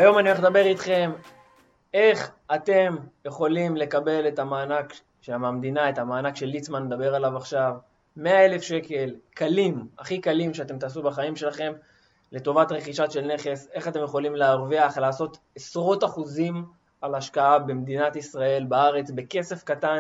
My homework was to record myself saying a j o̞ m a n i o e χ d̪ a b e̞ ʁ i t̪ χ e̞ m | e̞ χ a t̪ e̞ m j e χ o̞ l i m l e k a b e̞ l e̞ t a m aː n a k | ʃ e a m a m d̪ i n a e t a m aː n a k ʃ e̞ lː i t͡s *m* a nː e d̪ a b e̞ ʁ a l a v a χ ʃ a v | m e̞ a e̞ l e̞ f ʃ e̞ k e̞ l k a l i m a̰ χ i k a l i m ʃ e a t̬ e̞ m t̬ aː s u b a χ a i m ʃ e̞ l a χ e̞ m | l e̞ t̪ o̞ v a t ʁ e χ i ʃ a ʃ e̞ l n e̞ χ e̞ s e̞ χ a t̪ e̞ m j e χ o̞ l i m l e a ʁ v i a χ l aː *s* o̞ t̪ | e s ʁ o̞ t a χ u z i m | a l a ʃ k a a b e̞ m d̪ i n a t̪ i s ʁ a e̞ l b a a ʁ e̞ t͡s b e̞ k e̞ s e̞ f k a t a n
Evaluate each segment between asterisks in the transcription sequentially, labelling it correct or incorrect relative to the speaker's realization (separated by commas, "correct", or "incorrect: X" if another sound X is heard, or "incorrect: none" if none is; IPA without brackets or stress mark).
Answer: correct, correct